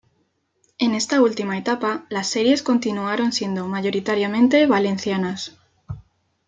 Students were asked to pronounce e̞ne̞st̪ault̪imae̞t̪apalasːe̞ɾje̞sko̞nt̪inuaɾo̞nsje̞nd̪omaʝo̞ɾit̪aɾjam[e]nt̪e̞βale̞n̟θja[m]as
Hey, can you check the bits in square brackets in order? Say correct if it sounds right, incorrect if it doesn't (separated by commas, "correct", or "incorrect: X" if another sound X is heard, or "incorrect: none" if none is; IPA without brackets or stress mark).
incorrect: ẽ, incorrect: n